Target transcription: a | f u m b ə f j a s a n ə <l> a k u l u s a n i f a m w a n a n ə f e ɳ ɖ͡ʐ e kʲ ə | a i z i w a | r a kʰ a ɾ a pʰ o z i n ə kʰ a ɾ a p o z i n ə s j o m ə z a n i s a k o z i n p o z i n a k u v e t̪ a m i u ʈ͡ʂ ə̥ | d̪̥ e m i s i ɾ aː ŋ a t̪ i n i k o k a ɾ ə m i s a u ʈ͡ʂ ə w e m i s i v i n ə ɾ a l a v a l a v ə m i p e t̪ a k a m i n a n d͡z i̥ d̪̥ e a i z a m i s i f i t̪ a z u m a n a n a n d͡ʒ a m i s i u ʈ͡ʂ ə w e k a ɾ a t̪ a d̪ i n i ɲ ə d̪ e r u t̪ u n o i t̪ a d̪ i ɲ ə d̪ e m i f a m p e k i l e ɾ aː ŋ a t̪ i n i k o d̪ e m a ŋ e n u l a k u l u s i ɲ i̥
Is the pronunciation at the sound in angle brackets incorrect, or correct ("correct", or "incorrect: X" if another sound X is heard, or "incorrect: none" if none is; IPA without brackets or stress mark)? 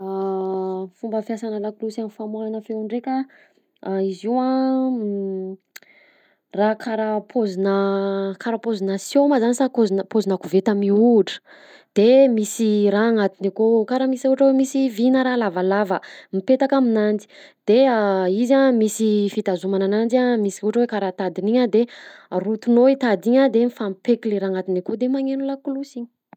correct